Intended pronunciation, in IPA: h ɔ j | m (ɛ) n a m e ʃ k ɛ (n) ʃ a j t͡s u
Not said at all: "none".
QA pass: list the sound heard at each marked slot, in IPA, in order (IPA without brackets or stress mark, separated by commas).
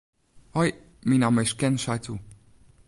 i, n